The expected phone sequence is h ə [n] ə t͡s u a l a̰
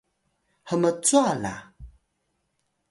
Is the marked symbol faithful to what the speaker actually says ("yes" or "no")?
no